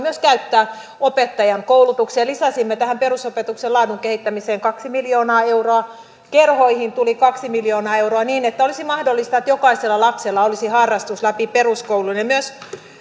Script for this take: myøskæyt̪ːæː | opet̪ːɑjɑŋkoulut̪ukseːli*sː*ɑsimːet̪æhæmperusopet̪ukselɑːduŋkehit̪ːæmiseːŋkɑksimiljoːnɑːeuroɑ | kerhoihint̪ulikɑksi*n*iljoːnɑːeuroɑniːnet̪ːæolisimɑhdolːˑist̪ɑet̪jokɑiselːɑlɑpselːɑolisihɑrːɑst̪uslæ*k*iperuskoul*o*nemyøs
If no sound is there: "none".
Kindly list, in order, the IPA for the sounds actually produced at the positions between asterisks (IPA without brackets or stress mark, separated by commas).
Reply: s, m, p, u